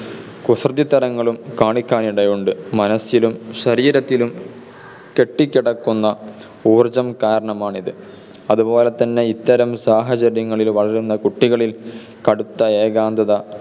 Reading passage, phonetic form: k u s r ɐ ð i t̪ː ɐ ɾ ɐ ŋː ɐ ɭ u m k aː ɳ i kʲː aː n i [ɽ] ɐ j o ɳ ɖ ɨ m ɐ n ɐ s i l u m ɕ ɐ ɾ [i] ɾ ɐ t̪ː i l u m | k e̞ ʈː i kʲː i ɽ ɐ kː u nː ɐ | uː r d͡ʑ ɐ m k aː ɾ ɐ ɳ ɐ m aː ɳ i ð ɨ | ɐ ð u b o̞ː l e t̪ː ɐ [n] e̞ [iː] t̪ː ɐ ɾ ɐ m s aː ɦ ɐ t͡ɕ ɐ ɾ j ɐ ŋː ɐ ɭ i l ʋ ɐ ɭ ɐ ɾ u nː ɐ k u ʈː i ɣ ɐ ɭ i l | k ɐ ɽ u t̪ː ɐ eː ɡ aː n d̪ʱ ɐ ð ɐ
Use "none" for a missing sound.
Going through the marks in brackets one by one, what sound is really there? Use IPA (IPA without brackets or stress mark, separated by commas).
ɽ, iː, nː, i